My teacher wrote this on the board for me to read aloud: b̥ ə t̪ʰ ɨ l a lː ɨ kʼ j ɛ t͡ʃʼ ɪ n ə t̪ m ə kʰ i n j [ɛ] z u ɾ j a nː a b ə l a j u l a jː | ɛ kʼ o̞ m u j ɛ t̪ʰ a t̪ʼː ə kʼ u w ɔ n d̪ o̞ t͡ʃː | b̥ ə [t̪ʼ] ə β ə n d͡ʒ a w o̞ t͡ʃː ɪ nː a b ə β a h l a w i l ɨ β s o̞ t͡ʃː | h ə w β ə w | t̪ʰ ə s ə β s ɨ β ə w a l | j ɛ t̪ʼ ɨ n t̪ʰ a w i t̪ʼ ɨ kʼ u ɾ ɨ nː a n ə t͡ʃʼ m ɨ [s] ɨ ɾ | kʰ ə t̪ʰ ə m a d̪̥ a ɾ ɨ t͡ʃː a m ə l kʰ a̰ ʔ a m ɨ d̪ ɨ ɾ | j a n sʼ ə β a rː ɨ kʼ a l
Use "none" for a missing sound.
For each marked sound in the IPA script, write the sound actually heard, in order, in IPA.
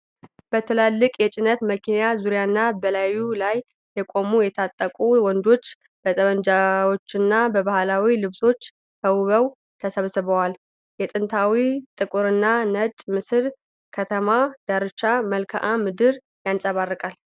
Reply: a, t̪ʼ, s

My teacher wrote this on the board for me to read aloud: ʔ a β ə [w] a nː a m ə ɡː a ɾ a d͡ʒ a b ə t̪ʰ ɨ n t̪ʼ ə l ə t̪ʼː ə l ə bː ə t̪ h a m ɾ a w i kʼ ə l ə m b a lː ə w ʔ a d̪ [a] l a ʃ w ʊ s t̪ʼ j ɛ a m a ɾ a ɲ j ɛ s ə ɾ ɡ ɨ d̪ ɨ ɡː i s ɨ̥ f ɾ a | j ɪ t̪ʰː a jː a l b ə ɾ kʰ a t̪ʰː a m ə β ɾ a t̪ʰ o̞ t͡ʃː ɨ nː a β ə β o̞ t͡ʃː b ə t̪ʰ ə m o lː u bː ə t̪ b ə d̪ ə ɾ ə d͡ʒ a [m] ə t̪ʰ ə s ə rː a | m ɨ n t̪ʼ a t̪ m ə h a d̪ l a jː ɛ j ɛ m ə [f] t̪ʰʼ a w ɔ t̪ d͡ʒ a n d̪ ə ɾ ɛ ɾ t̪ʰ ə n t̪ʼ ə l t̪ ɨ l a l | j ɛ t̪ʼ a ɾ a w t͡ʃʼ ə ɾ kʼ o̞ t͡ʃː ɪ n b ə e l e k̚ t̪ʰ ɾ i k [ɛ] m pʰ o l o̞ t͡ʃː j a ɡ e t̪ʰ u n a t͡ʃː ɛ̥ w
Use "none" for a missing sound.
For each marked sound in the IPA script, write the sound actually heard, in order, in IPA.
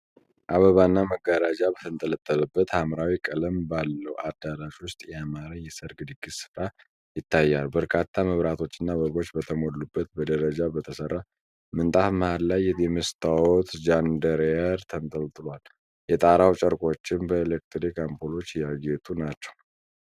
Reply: β, a, b, s, a

